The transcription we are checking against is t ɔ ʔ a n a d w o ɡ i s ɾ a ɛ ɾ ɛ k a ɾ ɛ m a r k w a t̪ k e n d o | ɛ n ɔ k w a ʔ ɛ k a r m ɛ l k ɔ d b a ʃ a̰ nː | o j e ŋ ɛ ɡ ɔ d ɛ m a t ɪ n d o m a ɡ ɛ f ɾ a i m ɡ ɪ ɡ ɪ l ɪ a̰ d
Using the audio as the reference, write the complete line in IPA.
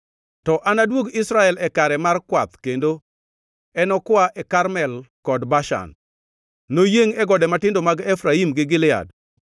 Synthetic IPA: t ɔ ʔ a n a d w o ɡ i s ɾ a ɛ l ɛ k a ɾ ɛ m a r k w a t̪ k e n d o | ɛ n ɔ k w a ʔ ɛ k a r m ɛ l k ɔ d b a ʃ a̰ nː | o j e ŋ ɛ ɡ ɔ d ɛ m a t ɪ n d o m a ɡ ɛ f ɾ a i m ɡ ɪ ɡ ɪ l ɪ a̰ d